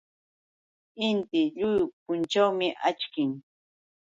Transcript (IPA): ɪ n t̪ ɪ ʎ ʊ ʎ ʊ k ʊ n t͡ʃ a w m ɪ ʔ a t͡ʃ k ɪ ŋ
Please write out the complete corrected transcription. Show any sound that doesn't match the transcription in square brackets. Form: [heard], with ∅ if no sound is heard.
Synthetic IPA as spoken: ɪ n t̪ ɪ ʎ ʊ [j] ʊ [p] ʊ n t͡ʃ a w m ɪ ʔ a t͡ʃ k ɪ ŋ